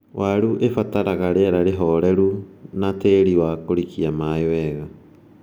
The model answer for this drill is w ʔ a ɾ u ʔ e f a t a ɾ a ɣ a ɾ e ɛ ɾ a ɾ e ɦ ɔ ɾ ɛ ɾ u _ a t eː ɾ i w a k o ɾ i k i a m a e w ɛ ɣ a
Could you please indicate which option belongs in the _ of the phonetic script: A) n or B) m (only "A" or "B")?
A